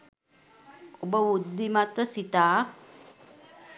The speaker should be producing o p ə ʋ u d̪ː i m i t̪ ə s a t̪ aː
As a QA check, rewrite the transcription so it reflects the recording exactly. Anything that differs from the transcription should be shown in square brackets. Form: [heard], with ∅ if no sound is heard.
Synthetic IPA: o [b] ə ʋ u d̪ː i m [a] t̪ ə s [i] t̪ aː